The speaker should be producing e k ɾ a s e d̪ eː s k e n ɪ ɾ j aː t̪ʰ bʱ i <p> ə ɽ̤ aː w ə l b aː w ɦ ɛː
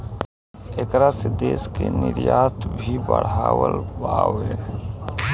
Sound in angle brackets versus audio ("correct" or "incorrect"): incorrect